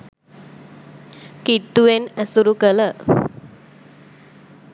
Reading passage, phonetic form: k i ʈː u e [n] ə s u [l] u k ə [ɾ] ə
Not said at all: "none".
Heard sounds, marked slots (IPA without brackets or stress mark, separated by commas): n, ɾ, l